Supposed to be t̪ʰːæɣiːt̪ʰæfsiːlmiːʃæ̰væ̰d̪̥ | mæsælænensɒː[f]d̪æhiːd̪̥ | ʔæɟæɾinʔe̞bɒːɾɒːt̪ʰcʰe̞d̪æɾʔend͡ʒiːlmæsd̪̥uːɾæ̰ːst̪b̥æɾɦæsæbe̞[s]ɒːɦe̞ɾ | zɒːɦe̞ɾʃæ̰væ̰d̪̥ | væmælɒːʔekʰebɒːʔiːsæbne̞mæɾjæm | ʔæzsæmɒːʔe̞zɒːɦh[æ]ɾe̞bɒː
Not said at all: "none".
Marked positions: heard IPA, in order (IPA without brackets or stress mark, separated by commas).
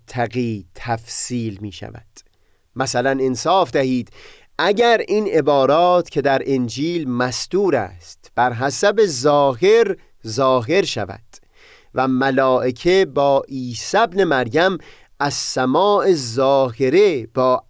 f, z, e